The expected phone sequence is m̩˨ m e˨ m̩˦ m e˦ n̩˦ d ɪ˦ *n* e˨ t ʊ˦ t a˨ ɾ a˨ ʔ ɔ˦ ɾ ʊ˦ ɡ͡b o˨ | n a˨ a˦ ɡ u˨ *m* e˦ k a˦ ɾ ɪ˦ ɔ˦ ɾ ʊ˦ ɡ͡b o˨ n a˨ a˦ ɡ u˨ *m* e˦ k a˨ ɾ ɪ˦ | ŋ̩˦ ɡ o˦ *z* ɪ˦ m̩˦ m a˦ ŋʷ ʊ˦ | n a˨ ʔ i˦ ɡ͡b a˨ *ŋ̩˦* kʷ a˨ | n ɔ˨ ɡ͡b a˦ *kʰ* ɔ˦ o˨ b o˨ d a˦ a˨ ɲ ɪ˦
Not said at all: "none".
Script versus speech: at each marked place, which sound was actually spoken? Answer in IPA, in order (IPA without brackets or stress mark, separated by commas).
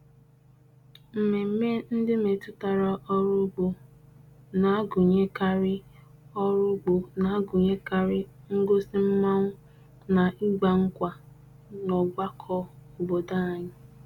m, ɲ, ɲ, s, ŋ̩˦, kʰ